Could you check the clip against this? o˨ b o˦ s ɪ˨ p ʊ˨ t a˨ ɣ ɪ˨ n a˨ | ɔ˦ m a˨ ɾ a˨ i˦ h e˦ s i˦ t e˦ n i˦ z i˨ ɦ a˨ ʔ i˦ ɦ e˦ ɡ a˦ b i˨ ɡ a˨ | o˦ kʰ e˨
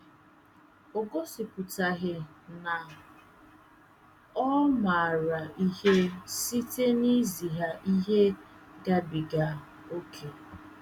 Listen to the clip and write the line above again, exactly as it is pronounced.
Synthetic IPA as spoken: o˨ ɡ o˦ s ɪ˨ p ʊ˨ t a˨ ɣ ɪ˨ n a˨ | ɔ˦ m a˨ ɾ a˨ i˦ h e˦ s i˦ t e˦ n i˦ z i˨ ɦ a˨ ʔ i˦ ɦ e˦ ɡ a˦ b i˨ ɡ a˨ | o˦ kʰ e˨